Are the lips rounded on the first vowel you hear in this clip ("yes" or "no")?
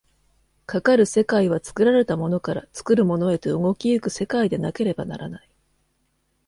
no